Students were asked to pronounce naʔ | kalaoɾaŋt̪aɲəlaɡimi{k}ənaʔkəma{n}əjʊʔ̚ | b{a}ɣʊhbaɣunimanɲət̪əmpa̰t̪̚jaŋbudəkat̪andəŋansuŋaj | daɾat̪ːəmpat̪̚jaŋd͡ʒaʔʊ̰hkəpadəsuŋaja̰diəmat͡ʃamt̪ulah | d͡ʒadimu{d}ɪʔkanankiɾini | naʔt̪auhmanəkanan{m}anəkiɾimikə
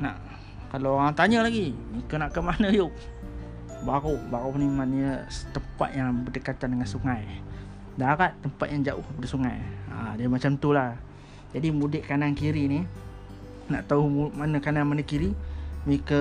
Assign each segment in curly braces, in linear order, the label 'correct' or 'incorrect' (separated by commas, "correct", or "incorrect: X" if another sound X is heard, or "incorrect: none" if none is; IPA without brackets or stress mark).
correct, correct, correct, correct, correct